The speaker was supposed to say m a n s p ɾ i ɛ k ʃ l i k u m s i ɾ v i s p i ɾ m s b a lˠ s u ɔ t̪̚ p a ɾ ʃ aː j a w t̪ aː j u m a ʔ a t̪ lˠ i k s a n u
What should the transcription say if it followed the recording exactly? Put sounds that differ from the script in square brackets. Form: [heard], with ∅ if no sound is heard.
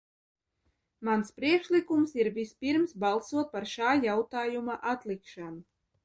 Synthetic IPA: m a n s p ɾ i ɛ k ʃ l i k u m s i ɾ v i s p i ɾ m s b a lˠ s u ɔ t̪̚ p a ɾ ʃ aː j a w t̪ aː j u m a ʔ a t̪ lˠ i k [ʃ] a n u